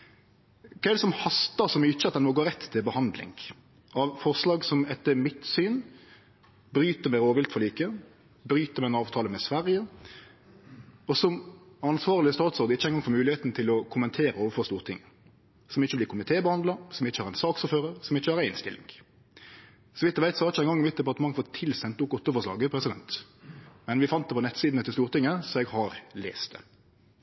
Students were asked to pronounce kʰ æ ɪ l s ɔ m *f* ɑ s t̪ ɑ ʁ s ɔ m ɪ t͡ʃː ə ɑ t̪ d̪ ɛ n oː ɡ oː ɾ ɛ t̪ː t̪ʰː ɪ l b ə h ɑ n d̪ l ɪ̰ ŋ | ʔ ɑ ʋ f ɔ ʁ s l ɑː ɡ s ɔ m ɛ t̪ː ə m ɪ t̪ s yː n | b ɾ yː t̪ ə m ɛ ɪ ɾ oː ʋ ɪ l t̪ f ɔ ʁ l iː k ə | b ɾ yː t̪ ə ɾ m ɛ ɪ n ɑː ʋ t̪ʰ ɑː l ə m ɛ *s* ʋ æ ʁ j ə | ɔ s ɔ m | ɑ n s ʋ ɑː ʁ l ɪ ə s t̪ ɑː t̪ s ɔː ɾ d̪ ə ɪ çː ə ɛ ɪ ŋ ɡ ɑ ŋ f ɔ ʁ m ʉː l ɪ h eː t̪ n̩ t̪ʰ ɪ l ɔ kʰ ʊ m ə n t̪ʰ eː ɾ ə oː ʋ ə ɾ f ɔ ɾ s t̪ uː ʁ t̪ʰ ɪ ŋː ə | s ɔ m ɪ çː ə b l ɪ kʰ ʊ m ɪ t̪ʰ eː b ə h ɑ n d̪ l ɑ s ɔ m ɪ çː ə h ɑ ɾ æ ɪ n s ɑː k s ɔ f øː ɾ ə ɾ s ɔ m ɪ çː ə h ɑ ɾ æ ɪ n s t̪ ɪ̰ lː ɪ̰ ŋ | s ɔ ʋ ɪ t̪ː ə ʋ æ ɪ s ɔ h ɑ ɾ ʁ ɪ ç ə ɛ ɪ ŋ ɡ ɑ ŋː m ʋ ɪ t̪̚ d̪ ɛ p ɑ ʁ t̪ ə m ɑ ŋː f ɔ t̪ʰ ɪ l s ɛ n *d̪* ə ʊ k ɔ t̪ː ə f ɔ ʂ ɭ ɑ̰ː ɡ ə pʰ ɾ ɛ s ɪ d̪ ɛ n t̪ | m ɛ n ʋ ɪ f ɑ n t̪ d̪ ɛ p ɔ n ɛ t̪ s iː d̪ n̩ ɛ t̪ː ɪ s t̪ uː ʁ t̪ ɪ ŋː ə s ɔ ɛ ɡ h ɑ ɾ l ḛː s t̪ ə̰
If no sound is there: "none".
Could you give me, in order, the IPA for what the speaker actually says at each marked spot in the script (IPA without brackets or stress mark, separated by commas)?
h, s, t̪